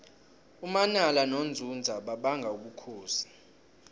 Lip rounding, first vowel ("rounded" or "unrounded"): rounded